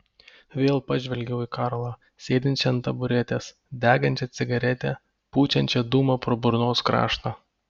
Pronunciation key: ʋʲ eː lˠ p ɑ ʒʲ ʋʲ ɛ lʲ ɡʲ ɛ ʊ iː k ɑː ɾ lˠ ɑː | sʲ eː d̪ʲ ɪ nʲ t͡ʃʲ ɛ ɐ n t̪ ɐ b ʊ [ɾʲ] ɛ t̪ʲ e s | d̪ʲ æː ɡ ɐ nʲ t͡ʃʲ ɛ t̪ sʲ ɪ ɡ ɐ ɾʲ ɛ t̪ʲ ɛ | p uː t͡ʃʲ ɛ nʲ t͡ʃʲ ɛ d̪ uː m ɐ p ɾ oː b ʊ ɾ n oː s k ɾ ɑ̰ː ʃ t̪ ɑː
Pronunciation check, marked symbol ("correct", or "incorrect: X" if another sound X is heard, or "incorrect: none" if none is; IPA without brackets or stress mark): correct